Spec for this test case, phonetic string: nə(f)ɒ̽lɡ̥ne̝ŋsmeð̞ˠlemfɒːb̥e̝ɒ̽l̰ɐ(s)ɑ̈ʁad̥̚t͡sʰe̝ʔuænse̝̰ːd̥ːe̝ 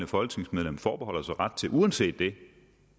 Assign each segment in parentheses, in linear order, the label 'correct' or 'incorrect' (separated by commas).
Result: correct, correct